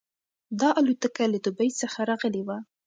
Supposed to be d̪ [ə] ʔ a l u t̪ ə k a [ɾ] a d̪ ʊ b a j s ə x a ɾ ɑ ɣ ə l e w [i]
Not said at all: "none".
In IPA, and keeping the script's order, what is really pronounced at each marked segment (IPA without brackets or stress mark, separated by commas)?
ɑ, l, a